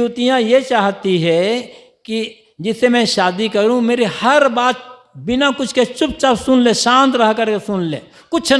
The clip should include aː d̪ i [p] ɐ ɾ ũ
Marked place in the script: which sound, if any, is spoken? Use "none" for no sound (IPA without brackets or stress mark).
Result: k